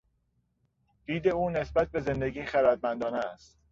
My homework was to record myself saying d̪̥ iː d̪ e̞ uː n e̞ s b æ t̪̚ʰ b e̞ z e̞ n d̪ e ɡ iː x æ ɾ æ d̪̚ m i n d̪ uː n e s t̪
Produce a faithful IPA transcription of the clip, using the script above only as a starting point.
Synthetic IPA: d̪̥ iː d̪ e̞ uː n e̞ s b æ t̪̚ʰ b e̞ z e̞ n d̪ e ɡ iː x æ ɾ æ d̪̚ m æ n d̪ ɒː n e s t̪